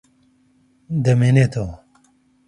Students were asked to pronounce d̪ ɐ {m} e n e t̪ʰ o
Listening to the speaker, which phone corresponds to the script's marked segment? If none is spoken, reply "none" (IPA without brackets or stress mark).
m